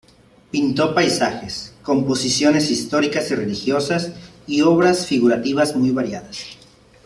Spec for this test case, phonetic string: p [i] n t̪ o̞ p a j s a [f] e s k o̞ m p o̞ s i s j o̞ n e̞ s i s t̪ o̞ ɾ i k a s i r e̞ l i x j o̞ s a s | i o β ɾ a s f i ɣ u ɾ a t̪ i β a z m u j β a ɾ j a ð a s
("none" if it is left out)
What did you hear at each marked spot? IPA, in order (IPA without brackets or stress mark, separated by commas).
i, x